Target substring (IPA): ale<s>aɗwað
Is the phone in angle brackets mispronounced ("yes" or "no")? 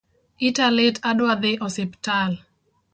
yes